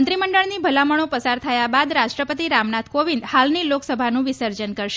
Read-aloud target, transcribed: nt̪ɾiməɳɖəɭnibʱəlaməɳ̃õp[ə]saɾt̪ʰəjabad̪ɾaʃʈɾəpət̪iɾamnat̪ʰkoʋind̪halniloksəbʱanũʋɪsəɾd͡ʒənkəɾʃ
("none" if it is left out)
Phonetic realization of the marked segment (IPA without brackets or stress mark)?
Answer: ə